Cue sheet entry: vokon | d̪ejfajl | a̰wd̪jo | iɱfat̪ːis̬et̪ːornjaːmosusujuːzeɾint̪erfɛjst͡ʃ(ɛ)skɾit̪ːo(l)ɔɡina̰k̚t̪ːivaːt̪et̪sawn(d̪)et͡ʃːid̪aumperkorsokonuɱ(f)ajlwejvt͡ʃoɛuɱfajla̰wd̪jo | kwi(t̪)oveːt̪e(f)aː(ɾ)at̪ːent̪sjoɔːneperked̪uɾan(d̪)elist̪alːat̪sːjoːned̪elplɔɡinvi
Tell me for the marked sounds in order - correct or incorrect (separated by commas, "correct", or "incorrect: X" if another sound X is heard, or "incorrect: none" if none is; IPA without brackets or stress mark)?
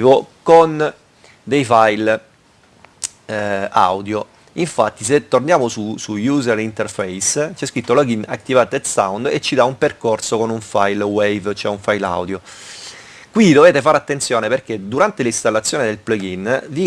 correct, correct, correct, correct, incorrect: d̪, correct, correct, incorrect: t̪